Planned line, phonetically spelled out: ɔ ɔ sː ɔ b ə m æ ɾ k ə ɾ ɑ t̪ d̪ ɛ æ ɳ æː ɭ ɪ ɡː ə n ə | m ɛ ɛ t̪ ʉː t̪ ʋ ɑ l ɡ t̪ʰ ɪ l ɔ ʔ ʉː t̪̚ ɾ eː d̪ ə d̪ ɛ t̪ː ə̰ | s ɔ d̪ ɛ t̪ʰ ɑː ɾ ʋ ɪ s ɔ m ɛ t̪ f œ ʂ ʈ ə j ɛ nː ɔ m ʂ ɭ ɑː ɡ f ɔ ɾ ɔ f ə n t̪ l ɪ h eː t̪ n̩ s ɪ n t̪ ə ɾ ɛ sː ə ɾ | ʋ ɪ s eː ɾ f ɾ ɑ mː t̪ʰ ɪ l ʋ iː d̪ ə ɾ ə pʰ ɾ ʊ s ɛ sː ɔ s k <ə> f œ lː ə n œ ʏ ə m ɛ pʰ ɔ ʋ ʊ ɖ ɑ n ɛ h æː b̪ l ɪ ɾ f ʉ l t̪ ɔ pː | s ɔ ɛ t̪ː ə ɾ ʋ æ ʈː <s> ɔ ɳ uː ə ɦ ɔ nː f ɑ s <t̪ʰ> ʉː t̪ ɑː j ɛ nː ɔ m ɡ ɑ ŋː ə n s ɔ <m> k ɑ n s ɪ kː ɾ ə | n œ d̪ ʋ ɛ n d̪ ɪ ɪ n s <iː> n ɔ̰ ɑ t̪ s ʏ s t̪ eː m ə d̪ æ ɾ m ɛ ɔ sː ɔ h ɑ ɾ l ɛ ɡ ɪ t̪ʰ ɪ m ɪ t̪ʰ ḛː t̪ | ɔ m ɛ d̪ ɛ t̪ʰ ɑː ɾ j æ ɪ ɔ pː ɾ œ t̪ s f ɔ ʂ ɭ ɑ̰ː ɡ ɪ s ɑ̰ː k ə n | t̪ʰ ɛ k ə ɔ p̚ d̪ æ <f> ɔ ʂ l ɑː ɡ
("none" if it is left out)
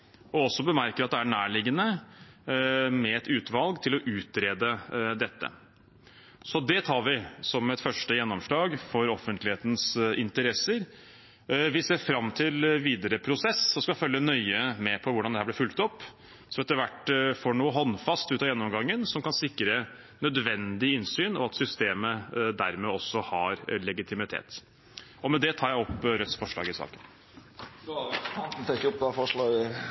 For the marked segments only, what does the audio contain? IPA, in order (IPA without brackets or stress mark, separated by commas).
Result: ɑ, f, t̪, m, yː, f